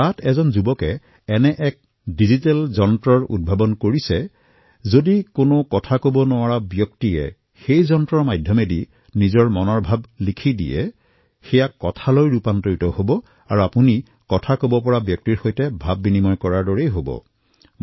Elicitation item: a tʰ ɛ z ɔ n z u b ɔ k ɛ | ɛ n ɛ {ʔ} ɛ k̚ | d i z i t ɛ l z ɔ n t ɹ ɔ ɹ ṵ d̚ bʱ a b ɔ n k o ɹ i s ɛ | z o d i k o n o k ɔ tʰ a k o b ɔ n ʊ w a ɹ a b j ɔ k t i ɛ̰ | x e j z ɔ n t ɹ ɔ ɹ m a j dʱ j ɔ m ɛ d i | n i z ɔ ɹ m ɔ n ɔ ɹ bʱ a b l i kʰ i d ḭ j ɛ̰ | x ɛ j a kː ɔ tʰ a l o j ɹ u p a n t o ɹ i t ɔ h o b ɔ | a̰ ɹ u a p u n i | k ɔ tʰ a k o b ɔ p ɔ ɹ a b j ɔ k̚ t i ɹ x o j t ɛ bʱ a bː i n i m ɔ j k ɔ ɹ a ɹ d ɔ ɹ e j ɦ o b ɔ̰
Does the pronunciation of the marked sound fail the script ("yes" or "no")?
no